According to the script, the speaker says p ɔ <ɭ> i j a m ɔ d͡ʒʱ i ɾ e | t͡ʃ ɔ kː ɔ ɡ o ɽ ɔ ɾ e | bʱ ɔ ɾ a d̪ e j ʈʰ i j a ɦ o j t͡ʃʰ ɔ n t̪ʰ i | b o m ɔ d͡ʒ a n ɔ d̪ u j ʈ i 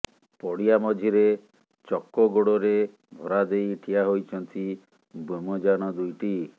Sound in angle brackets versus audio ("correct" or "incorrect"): incorrect